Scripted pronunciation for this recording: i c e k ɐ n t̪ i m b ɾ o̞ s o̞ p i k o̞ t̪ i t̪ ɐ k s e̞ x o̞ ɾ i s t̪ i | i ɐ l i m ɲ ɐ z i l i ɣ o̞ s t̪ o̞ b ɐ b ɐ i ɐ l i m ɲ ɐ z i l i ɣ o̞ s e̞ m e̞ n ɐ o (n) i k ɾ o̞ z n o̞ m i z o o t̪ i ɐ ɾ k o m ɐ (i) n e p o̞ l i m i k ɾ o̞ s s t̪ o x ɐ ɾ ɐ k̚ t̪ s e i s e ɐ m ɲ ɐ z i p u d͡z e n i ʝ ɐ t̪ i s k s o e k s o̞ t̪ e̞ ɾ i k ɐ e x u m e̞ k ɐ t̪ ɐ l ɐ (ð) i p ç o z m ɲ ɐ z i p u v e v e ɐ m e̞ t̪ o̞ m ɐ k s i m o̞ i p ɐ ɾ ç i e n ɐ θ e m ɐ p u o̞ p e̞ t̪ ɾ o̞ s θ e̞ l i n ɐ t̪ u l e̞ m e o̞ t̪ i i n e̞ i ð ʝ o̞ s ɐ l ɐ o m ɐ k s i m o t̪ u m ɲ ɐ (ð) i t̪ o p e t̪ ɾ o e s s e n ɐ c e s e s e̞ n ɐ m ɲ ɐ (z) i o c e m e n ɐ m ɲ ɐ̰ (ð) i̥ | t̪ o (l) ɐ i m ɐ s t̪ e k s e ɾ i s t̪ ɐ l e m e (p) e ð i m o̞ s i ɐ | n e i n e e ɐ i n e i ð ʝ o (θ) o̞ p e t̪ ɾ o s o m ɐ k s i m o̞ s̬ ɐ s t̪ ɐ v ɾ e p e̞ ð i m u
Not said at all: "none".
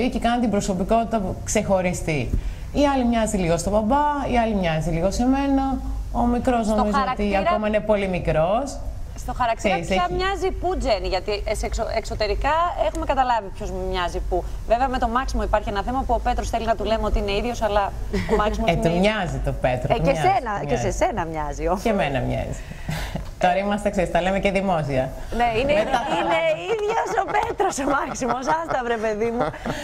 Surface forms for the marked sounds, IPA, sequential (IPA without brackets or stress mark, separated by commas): m, i, v, z, z, z, ɾ, c, s